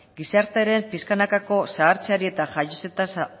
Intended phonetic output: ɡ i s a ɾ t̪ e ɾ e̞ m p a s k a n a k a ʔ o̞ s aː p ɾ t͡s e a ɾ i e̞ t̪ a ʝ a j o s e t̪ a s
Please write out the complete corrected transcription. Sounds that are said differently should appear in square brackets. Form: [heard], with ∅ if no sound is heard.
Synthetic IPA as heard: ɡ i s a ɾ t̪ e ɾ e̞ m p [i] s k a n a k a [k] o̞ s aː [∅] ɾ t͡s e a ɾ i e̞ t̪ a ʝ a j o s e t̪ a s